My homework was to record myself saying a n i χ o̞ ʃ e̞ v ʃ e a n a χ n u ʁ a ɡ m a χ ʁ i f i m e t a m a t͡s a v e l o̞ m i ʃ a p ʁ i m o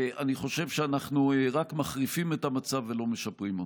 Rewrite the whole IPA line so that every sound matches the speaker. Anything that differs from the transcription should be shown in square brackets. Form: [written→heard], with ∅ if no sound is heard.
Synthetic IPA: a n i χ o̞ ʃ e̞ v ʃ e a n a χ n u ʁ a [ɡ→k] m a χ ʁ i f i m e t a m a t͡s a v e l o̞ m [i→e] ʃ a p ʁ i m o

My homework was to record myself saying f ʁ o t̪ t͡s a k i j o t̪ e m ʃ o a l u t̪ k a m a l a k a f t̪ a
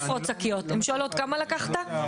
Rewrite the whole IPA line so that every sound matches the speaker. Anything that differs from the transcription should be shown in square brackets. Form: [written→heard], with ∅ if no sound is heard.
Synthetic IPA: f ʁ o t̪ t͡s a k i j o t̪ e m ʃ o a l [u→o] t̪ k a m a l a k a [f→χ] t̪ a

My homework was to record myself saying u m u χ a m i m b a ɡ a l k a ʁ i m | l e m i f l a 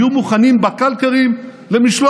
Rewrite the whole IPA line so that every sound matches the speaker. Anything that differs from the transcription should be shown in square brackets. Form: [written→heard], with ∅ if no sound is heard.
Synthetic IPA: u m u χ a [m→n] i m b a [ɡ→k] a l k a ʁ i m | l e m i [f→ʃ] l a

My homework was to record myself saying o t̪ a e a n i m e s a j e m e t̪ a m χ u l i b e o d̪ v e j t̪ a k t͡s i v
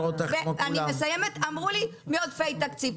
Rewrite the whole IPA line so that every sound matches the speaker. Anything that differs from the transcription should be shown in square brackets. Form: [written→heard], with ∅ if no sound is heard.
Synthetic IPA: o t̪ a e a n i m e s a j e m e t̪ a m [χ→ʁ] u l i [b→m] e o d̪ [v→f] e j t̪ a k t͡s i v

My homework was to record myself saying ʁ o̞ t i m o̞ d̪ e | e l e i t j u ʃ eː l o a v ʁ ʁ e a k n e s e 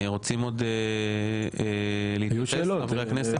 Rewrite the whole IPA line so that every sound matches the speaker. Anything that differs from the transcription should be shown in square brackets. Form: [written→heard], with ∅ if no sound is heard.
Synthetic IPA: ʁ o̞ [t→t͡s] i m o̞ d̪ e | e l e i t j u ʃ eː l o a v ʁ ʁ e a k n e s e

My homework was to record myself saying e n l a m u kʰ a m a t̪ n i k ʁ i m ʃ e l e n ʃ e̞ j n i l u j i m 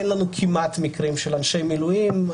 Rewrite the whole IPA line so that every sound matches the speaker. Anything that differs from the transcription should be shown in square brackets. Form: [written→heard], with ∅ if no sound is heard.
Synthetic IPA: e n l a [m→n] u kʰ [a→i] m a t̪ [n→m] i k ʁ i m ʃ e l [e→a] n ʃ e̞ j [n→m] i l u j i m

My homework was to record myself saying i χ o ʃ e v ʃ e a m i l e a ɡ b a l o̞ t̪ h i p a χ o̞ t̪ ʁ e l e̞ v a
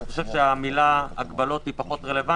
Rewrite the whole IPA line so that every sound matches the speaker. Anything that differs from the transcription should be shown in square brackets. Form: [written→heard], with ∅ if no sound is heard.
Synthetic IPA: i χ o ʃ e v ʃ e a m i l [e→a] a ɡ b a l o̞ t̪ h i p a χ o̞ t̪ ʁ e l e̞ v a

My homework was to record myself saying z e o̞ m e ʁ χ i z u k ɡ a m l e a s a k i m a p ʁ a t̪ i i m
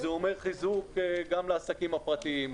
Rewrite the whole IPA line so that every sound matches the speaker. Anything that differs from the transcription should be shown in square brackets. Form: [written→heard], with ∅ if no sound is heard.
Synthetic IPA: z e o̞ m e ʁ χ i z u k ɡ a m l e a s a k i m a p ʁ a t̪ i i m

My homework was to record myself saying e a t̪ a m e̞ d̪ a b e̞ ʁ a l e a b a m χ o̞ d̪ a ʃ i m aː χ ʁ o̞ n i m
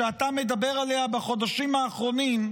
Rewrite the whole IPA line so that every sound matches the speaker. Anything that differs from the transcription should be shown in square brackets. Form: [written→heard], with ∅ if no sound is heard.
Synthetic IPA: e a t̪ a m e̞ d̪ a b e̞ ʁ a l e a b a [m→∅] χ o̞ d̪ a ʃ i m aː χ ʁ o̞ n i m

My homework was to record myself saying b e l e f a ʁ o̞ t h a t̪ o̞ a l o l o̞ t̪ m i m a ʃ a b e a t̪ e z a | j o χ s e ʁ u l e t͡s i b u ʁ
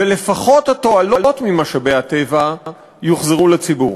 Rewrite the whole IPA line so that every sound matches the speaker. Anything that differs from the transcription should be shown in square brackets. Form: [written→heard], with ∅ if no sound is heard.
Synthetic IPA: [b→v] e l e f a [ʁ→χ] o̞ t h a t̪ o̞ a l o l o̞ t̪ m i m a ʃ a b e a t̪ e [z→v] a | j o χ [s→z] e ʁ u l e t͡s i b u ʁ

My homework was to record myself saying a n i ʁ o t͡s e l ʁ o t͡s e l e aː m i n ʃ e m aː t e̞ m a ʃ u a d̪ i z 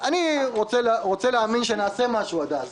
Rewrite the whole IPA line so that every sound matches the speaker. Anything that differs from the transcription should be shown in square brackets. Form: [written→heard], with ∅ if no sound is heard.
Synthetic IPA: a n i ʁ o t͡s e l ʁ o t͡s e l e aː m i n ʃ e [m→n] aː [t→s] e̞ m a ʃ u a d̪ [i→a] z

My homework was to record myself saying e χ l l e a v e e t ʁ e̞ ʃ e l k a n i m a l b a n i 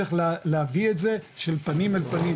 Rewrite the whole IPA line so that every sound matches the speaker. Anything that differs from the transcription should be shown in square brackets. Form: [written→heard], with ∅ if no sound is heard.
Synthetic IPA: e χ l l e a v [e→i] e t [ʁ→z] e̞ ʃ e l [k→p] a n i m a l [b→p] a n i

